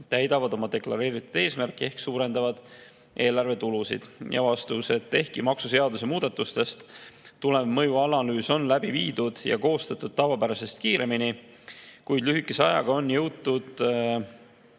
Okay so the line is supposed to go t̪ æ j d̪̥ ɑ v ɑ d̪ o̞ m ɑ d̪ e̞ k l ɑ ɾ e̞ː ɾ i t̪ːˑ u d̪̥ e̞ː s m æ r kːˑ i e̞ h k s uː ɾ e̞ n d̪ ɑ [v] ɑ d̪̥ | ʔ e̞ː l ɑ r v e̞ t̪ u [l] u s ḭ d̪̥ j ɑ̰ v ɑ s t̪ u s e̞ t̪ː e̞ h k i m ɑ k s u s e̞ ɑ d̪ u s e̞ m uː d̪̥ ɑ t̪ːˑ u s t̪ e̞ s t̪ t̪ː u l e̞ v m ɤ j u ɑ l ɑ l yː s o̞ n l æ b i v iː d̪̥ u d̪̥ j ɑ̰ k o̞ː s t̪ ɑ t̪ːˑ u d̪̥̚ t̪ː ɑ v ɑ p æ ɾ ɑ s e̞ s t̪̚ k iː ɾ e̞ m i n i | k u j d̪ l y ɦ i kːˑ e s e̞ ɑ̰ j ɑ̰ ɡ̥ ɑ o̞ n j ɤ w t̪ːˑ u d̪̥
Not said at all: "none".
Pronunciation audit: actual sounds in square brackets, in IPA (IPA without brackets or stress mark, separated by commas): v, l